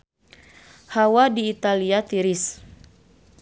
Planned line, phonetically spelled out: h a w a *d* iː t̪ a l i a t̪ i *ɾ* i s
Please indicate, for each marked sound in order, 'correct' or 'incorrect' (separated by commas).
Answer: correct, correct